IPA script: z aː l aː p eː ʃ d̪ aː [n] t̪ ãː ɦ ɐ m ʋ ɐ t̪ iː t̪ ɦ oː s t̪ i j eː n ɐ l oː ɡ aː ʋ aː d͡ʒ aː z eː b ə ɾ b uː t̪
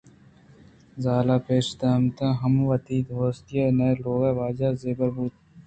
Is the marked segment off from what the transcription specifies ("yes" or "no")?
yes